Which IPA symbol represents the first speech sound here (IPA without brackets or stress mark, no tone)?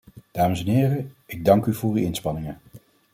d̥